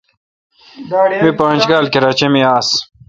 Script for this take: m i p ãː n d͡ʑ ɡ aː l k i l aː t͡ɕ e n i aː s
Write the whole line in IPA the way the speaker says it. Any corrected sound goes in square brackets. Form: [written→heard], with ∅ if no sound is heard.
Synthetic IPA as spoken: m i p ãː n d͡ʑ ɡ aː l k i [l→ɾ] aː t͡ɕ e [n→m] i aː s

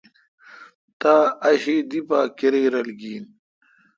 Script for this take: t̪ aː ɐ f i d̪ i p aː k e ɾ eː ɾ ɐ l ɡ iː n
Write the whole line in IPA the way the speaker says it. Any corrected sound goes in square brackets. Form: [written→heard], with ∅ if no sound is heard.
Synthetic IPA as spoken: t̪ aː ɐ [f→ɕ] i d̪ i p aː k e ɾ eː ɾ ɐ l ɡ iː n

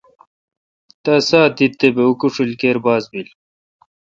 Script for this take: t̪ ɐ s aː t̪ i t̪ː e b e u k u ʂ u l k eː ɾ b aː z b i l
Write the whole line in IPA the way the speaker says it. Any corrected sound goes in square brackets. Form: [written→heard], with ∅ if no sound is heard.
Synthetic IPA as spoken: t̪ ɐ s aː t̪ i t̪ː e b e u k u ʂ u l k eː ɾ b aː z b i l

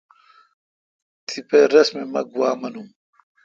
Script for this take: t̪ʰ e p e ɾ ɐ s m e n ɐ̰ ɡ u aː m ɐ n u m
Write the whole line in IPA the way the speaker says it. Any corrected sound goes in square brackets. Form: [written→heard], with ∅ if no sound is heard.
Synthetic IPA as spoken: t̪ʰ [e→i] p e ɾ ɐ s m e [n→m] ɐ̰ ɡ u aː m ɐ n u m

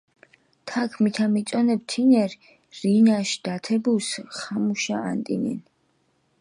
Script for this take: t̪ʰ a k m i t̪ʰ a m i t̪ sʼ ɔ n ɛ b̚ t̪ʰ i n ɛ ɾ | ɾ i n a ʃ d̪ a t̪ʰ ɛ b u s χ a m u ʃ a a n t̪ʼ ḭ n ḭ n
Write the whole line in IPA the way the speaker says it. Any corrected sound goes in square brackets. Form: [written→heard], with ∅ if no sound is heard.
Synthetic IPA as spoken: t̪ʰ a [k→kʰ] m i t̪ʰ a m i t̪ sʼ ɔ n ɛ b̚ t̪ʰ i n ɛ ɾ | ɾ i n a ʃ d̪ a t̪ʰ ɛ b u s χ a m u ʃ a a n t̪ʼ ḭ n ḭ n

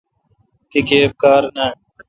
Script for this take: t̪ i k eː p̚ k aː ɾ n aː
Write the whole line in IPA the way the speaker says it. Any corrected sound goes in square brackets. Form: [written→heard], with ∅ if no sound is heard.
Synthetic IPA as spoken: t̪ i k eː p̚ k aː ɾ n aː

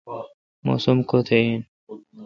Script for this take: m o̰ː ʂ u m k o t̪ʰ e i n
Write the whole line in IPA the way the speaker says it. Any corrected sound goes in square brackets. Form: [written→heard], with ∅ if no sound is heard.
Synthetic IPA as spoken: m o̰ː [ʂ→s] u m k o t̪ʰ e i n

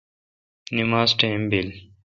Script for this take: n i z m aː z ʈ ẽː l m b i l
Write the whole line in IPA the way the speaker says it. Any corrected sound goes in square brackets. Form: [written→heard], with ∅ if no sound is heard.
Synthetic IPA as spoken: n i [z→∅] m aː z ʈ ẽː [l→∅] m b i l

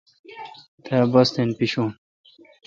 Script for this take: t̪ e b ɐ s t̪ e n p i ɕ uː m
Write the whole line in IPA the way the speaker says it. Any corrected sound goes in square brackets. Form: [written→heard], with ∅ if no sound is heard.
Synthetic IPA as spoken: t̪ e b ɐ s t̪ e n p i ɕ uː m

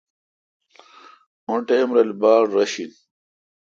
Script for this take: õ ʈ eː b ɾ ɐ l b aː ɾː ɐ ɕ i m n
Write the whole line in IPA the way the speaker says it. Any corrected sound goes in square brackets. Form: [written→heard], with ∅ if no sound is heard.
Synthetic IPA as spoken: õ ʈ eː [b→m] ɾ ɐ l b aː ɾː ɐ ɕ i [m→∅] n

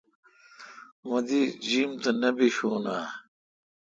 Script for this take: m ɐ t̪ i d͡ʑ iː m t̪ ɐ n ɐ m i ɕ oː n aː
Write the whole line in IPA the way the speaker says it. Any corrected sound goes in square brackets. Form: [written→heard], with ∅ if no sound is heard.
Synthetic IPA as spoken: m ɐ [t̪→d̪] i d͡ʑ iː m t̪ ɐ n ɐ [m→b] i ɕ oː n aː

